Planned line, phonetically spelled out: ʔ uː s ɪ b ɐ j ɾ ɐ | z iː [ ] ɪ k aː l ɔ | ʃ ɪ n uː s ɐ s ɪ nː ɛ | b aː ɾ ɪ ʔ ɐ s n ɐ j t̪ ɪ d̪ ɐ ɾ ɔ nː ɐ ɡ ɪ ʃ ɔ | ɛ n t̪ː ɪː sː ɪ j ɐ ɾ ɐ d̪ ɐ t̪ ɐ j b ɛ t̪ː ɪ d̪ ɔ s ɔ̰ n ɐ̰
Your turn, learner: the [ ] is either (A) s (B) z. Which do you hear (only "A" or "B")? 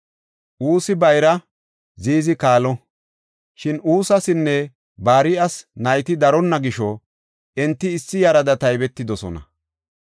B